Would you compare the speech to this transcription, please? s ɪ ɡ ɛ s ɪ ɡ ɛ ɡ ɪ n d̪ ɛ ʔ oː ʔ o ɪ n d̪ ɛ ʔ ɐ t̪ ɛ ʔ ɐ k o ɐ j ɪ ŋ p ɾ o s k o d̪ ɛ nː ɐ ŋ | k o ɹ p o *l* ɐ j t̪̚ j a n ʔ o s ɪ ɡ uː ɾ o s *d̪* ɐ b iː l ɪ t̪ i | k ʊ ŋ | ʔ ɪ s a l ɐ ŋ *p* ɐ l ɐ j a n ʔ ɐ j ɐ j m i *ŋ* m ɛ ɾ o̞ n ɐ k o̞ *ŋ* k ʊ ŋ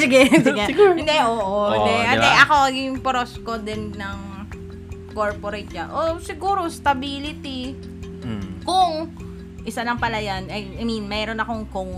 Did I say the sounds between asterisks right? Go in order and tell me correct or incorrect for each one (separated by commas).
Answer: incorrect, incorrect, correct, incorrect, correct